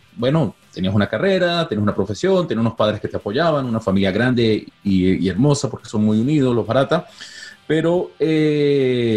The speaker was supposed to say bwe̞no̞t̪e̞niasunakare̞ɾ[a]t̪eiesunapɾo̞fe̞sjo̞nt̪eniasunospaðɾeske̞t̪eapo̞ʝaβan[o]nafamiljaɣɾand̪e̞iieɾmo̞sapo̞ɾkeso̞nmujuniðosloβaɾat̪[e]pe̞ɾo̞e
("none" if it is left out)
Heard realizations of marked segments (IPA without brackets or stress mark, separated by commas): a, u, a